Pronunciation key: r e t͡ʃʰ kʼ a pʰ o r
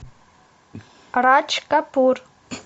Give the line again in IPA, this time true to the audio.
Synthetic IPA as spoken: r a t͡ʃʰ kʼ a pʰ u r